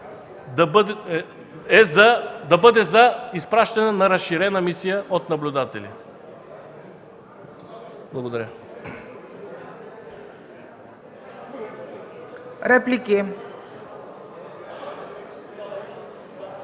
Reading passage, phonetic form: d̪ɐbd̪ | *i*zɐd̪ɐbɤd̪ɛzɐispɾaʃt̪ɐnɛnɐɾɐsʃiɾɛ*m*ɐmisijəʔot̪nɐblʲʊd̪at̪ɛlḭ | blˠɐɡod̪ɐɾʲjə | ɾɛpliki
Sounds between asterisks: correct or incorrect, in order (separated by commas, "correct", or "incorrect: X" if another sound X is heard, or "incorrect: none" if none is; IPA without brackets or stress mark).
incorrect: ɛ, incorrect: n